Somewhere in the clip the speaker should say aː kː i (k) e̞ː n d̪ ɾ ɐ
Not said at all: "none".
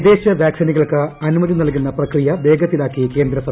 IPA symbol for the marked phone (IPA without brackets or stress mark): k